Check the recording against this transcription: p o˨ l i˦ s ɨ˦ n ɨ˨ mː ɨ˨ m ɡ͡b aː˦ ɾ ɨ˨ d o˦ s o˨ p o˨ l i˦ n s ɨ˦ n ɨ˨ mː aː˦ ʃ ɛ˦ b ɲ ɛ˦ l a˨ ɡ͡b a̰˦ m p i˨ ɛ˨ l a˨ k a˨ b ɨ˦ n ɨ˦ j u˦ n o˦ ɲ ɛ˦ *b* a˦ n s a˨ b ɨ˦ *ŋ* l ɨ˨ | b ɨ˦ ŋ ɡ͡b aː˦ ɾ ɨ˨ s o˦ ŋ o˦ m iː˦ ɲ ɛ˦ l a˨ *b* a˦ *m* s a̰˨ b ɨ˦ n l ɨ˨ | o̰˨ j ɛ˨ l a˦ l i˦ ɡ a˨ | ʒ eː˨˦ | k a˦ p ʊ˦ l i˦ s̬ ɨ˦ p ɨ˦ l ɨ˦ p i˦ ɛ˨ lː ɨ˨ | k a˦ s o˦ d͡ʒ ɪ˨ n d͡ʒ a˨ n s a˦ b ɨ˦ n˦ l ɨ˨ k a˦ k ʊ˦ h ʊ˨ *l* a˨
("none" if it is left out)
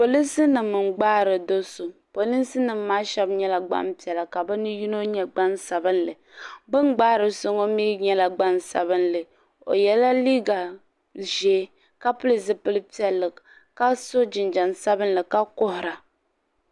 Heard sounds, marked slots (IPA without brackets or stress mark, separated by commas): ɡ͡b, n, ɡ͡b, n, ɾ